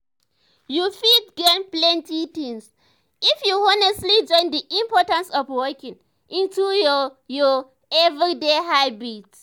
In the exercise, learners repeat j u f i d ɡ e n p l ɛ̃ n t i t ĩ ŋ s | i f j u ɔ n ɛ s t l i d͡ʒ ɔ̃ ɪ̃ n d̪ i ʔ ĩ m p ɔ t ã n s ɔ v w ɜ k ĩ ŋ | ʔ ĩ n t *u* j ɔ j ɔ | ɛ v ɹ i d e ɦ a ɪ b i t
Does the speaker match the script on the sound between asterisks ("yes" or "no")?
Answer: yes